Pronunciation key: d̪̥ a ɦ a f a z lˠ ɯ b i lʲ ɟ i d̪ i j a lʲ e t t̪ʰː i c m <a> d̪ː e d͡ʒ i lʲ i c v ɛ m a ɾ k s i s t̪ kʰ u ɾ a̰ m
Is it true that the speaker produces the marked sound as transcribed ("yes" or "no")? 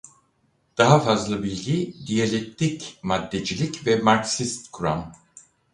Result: yes